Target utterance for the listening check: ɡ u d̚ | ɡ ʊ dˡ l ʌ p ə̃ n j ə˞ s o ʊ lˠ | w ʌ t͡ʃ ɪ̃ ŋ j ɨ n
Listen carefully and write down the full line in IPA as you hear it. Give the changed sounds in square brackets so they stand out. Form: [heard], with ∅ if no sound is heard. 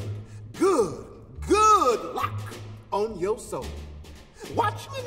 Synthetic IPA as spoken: ɡ [ʊ] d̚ | ɡ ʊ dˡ l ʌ [k] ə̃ n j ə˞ s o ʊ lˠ | w [ɑ] t͡ʃ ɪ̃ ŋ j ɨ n